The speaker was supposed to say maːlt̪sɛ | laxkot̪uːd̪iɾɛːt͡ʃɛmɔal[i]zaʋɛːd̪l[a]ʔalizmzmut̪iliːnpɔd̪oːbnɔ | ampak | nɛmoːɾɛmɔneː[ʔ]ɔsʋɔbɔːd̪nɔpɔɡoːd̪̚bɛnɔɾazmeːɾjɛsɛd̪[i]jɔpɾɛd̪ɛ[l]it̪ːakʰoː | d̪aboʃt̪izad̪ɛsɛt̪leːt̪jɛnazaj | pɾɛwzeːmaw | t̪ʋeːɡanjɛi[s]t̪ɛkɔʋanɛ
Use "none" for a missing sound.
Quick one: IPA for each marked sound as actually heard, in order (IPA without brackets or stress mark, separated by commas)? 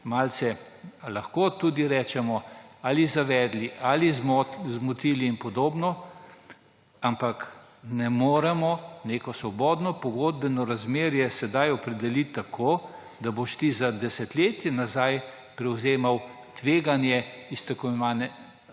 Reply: i, i, k, a, l, s